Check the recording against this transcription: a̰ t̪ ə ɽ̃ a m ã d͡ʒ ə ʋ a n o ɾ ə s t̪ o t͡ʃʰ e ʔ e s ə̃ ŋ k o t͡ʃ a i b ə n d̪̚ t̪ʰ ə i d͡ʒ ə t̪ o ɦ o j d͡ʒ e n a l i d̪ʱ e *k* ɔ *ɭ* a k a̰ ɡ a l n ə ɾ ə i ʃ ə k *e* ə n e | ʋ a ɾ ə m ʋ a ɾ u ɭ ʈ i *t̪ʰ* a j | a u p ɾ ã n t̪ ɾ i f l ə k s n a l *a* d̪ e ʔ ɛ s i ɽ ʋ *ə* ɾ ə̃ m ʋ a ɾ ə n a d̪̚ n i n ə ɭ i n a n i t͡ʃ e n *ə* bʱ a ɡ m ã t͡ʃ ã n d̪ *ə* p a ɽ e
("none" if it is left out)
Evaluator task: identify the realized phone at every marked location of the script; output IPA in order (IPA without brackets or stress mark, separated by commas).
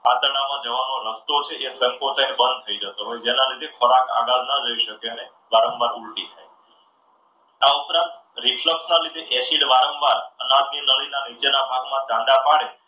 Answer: kʰ, ɾ, e, t̪ʰ, i, a, a, a